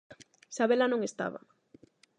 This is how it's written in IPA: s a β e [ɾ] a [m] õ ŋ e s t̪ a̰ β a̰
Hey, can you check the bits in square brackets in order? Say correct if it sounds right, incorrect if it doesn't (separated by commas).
incorrect, incorrect